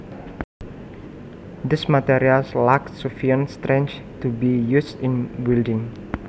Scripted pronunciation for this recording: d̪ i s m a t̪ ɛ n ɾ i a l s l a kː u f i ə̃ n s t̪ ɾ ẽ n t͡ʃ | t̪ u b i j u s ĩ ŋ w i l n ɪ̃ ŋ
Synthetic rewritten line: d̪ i s m a t̪ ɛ ɾ i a l s l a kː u f i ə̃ n s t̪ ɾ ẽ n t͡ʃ | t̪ u b i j u s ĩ n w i l d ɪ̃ ŋ